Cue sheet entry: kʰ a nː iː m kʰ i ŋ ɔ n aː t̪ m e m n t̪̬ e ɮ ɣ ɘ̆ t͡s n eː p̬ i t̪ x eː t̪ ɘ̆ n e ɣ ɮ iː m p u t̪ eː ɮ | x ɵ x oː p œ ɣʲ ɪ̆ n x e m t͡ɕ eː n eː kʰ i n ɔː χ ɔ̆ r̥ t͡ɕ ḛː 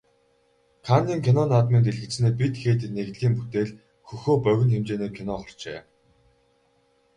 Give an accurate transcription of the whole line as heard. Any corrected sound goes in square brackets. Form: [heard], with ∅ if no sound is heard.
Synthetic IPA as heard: kʰ a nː iː [ŋ] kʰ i [n] ɔ n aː t̪ m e [∅] n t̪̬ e ɮ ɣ ɘ̆ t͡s n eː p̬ i t̪ x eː t̪ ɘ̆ n e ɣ ɮ iː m p u t̪ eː ɮ | x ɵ x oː p œ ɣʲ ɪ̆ n x e m t͡ɕ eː n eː kʰ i n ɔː χ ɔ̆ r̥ t͡ɕ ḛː